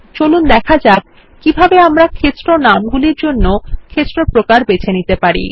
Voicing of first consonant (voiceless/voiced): voiceless